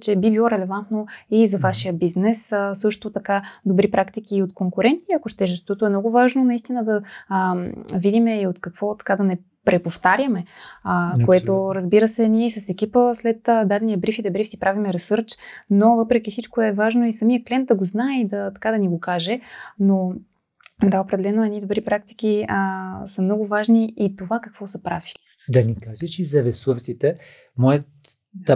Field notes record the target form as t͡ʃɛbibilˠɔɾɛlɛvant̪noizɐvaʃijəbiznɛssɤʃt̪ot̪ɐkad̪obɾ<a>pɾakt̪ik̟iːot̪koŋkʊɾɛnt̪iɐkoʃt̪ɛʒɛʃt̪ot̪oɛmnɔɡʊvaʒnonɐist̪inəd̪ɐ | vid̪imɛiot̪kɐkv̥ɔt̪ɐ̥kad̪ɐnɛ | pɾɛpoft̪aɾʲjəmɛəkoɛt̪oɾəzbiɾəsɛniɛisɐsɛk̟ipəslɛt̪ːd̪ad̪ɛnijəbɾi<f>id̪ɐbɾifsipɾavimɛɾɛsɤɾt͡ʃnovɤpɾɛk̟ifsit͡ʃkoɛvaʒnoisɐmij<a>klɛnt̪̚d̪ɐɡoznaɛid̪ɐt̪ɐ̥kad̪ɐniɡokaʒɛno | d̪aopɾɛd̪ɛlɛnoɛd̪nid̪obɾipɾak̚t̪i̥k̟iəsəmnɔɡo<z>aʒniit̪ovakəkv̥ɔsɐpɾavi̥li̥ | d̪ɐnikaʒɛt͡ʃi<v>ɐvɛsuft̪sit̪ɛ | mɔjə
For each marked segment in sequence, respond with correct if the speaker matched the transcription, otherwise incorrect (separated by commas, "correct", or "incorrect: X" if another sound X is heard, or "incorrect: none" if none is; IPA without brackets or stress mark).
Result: incorrect: i, correct, incorrect: ə, incorrect: v, incorrect: z